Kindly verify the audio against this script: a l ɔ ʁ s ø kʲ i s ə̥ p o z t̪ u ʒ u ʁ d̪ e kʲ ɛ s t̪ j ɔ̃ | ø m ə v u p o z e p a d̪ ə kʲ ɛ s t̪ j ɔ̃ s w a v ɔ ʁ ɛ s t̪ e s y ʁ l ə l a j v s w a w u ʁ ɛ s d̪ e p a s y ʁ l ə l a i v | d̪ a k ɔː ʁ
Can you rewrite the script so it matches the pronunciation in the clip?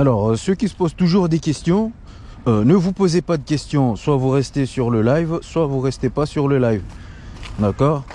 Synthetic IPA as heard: a l ɔ ʁ s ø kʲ i s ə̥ p o z t̪ u ʒ u ʁ d̪ e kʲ ɛ s t̪ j ɔ̃ | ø n ə v u p o z e p a d̪ ə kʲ ɛ s t̪ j ɔ̃ s w a v u ʁ ɛ s t̪ e s y ʁ l ə l a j v s w a v u ʁ ɛ s t̪ e p a s y ʁ l ə l a j v | d̪ a k ɔː ʁ